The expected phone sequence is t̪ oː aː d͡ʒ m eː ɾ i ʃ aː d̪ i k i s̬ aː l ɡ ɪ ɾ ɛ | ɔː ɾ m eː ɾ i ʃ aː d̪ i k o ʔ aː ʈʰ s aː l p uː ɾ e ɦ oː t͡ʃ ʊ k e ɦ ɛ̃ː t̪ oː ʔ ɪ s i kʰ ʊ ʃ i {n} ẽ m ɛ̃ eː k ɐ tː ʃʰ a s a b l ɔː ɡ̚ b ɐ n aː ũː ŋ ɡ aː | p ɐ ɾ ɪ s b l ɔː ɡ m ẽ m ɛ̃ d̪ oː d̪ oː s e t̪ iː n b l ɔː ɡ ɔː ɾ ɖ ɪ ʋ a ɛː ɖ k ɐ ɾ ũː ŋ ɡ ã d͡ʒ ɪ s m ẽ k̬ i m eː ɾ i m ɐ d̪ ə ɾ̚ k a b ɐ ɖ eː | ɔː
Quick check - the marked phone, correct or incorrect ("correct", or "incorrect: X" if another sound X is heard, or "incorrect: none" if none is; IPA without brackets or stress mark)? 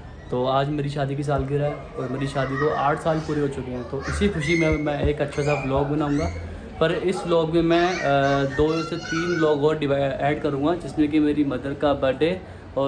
incorrect: m